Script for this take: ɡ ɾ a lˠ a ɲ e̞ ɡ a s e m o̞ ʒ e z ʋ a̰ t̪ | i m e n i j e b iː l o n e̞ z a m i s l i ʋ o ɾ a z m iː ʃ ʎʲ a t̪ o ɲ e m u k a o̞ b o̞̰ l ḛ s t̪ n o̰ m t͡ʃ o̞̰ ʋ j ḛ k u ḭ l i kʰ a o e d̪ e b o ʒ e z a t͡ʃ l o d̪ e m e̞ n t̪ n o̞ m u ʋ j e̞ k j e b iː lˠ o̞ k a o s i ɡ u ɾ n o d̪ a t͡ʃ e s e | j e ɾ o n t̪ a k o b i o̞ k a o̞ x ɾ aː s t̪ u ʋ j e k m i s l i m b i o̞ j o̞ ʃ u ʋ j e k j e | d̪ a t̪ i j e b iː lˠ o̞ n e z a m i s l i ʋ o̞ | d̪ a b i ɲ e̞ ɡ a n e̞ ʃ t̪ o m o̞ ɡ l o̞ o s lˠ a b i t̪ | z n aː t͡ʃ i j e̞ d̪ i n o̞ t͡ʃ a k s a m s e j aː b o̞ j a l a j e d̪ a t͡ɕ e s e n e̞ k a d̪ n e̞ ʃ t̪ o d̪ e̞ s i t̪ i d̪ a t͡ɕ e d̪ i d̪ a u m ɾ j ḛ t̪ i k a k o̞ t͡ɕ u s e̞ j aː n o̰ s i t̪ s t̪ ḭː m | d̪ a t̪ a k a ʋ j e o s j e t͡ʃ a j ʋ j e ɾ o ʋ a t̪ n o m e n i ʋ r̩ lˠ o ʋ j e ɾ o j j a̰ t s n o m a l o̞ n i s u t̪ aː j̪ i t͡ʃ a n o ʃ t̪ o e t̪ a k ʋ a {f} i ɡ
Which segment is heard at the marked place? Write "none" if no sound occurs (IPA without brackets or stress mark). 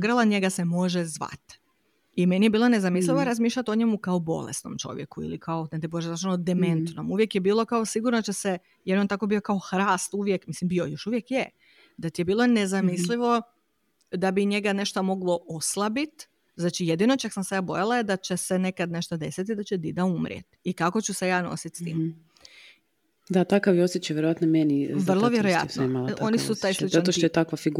f